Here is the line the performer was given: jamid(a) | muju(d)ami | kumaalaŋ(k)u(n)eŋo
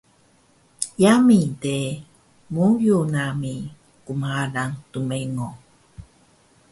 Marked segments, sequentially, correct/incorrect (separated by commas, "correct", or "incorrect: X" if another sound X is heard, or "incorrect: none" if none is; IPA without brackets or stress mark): incorrect: e, incorrect: n, incorrect: t, incorrect: m